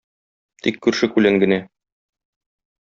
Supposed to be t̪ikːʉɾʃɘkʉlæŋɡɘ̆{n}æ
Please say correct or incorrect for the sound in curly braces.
correct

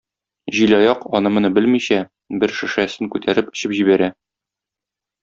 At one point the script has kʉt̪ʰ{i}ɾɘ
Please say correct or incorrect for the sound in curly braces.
incorrect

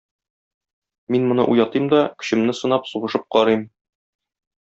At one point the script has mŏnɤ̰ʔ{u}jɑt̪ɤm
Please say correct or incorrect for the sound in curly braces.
correct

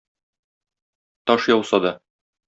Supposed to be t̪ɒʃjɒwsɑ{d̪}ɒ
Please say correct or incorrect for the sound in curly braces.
correct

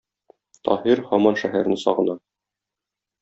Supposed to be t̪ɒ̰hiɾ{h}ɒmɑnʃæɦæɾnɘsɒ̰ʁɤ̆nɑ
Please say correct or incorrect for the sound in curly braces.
correct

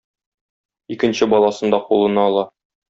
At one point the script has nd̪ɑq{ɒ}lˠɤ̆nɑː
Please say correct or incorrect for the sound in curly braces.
incorrect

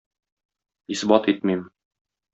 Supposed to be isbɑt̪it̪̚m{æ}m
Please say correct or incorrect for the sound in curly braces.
incorrect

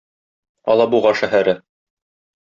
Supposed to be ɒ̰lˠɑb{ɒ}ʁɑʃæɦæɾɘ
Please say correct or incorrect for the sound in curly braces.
incorrect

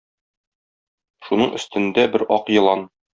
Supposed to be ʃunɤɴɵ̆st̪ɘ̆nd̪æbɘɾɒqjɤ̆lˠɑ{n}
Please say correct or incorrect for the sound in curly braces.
correct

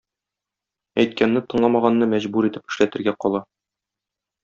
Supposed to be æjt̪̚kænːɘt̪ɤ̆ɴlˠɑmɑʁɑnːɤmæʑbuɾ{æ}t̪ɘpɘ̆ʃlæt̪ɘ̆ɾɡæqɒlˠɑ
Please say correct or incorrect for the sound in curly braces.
incorrect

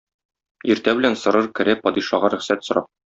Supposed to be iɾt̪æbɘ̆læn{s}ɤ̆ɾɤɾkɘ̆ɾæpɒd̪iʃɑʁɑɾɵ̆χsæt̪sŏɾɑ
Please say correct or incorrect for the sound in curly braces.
correct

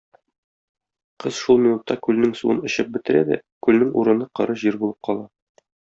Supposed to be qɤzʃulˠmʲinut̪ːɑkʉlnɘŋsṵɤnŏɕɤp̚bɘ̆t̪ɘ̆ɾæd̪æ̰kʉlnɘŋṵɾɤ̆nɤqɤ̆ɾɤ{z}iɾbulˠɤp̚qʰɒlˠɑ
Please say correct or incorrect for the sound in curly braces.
incorrect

